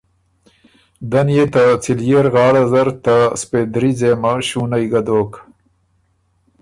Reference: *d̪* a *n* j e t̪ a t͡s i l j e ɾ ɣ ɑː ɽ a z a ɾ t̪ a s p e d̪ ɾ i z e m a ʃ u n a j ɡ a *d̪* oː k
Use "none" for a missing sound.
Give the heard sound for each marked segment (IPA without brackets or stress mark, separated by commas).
d̪, n, d̪